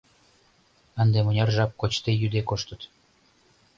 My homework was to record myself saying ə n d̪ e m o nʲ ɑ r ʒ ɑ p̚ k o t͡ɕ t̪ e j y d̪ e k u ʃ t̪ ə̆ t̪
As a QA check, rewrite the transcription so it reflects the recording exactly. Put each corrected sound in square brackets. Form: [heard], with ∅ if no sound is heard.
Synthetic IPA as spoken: ə n d̪ e m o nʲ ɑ r ʒ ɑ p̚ k o t͡ɕ t̪ e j y d̪ e k [o] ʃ t̪ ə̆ t̪